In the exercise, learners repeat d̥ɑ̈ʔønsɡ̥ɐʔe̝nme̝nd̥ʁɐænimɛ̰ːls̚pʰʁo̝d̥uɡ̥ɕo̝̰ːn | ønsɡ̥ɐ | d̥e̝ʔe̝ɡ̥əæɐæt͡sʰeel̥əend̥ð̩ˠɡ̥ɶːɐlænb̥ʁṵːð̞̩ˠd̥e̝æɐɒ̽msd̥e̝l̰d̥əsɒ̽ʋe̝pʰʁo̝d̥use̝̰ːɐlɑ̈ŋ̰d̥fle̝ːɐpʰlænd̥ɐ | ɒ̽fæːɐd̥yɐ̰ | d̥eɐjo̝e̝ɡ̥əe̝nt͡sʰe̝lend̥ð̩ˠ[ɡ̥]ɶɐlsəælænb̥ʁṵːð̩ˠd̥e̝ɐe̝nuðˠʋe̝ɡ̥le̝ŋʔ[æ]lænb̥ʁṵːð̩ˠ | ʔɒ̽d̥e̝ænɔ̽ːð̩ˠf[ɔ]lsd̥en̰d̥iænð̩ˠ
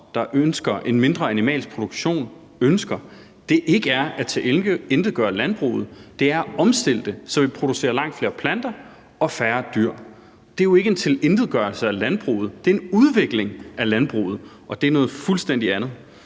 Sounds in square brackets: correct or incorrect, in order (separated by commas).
correct, correct, incorrect